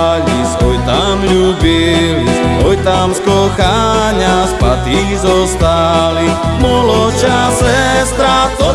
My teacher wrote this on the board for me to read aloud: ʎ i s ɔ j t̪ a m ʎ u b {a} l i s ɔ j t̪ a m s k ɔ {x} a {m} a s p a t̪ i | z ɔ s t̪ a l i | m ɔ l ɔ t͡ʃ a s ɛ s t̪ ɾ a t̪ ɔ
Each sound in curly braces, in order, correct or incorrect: incorrect, correct, incorrect

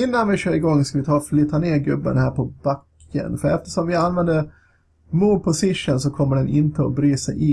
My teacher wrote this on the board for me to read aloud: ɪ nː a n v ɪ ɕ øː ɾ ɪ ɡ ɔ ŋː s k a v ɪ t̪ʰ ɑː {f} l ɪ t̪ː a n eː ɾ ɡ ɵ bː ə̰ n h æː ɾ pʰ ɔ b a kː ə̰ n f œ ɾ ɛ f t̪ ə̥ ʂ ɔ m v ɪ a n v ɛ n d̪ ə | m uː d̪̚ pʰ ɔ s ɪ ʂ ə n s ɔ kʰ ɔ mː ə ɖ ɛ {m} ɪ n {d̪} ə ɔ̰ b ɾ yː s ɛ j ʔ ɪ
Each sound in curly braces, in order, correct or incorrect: correct, incorrect, incorrect

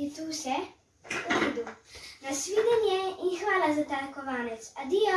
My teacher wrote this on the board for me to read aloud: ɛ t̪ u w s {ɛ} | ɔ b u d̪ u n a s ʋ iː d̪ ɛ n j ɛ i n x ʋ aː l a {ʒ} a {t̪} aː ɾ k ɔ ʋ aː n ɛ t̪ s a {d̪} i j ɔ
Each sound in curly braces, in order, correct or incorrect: correct, incorrect, correct, correct

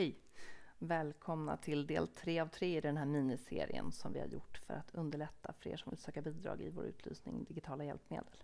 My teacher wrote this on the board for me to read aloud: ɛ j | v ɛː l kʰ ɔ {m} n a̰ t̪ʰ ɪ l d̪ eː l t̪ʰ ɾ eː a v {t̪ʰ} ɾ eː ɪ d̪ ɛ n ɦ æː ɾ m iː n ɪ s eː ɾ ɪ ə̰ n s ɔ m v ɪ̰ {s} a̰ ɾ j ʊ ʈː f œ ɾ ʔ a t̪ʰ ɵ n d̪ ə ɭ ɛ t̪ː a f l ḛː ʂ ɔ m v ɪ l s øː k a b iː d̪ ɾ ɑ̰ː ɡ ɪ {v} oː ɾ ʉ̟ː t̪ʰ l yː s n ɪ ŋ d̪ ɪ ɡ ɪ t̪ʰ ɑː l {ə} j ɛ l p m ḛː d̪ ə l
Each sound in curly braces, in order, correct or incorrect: correct, correct, incorrect, correct, incorrect

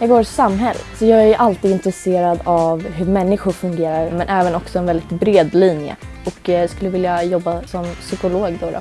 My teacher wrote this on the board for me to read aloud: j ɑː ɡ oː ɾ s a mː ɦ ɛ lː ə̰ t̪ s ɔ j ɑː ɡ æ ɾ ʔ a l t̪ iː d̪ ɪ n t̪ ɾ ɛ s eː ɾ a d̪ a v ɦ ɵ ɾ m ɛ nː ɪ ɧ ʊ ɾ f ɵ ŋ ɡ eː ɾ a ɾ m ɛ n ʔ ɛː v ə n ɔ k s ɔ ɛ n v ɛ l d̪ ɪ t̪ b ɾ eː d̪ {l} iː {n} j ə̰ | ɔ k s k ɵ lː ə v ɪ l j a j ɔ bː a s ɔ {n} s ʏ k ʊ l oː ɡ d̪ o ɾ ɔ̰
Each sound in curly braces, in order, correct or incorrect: correct, correct, incorrect

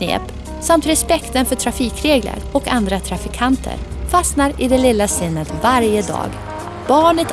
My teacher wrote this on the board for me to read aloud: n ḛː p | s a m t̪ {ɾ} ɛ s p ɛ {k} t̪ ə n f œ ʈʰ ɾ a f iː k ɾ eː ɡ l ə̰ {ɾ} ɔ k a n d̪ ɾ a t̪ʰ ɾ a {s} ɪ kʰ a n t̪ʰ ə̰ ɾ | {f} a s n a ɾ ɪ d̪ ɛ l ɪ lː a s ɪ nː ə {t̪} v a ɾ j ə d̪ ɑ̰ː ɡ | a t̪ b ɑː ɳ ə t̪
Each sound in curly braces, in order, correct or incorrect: correct, correct, correct, incorrect, correct, correct

